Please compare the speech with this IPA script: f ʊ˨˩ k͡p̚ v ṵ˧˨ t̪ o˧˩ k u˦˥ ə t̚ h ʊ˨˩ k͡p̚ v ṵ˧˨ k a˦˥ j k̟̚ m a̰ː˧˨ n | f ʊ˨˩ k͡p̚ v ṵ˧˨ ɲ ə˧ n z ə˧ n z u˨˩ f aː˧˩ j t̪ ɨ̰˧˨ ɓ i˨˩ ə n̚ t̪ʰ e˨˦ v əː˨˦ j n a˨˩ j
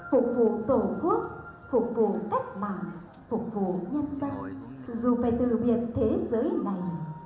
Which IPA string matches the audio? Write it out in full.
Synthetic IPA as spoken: f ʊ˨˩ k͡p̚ v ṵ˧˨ t̪ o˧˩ k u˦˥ ə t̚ f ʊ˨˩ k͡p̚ v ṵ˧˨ k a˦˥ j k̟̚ m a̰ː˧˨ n | f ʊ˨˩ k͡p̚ v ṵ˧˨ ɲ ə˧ n z ə˧ n z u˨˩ f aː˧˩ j t̪ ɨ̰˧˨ ɓ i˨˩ ə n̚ t̪ʰ e˨˦ z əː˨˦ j n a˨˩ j